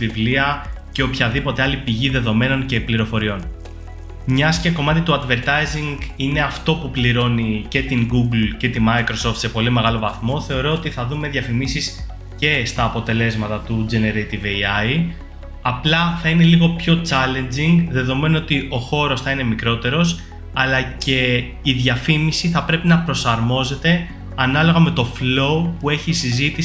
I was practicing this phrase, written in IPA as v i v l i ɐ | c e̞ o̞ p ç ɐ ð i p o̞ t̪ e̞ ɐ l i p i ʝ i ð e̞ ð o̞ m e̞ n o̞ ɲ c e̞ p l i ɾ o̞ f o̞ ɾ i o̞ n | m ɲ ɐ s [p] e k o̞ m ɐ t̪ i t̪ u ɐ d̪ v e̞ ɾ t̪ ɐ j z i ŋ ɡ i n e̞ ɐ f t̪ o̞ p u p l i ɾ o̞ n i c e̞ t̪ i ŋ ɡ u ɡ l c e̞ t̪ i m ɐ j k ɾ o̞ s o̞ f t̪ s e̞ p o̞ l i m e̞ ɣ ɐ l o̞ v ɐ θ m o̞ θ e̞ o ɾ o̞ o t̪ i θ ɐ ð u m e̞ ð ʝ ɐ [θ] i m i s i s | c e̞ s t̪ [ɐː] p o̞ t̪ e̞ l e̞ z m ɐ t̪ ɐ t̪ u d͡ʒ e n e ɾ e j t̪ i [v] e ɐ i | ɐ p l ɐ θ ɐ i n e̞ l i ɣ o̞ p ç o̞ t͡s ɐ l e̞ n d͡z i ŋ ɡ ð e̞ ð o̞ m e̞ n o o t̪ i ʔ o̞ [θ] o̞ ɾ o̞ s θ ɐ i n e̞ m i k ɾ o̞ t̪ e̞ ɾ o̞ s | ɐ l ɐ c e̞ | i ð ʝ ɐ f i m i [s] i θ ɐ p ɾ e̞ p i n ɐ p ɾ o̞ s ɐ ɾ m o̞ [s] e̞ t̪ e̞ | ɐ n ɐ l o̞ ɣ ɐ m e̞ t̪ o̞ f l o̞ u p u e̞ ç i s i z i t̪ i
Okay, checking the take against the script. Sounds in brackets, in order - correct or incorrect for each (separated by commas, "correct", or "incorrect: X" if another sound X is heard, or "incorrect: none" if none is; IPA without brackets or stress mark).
incorrect: c, incorrect: f, correct, correct, incorrect: x, correct, incorrect: z